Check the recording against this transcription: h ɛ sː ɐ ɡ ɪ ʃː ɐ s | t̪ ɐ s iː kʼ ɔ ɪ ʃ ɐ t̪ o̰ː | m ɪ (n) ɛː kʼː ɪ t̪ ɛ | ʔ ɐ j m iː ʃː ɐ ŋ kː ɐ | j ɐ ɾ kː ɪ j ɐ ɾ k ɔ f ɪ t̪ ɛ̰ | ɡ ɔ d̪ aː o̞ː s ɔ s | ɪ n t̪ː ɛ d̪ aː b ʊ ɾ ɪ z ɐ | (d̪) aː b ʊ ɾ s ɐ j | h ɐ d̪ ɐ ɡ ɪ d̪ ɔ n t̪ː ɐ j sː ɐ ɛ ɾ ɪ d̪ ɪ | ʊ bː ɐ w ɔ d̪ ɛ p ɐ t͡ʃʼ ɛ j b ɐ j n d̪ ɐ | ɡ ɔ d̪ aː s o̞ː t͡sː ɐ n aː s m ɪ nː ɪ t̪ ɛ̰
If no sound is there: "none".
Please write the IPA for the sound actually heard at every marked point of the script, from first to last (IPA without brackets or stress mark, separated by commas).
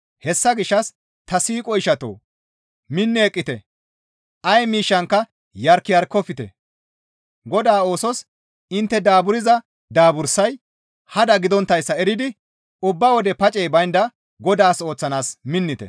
nː, d̪